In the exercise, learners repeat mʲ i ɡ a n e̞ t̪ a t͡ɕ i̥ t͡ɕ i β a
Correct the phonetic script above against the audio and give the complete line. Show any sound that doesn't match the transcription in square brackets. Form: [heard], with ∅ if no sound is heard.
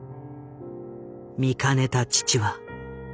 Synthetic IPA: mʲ i [k] a n e̞ t̪ a t͡ɕ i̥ t͡ɕ i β a